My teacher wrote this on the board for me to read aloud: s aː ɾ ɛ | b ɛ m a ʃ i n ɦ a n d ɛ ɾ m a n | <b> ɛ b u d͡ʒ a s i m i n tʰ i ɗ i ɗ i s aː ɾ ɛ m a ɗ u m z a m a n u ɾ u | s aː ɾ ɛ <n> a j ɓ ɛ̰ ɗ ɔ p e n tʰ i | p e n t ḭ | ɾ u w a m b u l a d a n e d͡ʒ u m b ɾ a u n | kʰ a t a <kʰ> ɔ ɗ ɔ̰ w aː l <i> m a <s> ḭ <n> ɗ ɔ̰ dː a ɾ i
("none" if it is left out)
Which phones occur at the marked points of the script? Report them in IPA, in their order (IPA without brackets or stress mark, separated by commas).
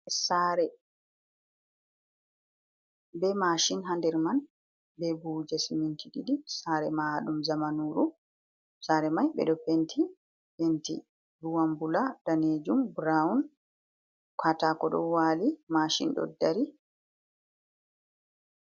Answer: b, m, k, i, ʃ, n